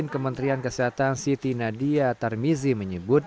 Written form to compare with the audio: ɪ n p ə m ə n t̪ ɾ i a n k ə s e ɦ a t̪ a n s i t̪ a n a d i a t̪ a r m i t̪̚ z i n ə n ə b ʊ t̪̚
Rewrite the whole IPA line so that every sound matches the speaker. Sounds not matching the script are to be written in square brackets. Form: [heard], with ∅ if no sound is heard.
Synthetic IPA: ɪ n [k] ə m ə n t̪ ɾ i a n k ə s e ɦ a t̪ a n s i t̪ [i] n a d i a t̪ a r m i [∅] z i [m] ə [ɲ] ə b ʊ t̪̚